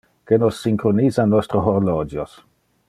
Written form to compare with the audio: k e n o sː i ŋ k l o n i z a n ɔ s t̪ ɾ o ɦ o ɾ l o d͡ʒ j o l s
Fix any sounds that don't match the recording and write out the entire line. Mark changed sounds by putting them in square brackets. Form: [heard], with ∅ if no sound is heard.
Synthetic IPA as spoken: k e n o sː i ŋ k [ɾ] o n i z a n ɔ s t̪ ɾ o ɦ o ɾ l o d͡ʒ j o [∅] s